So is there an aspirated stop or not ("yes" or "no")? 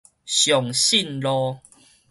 no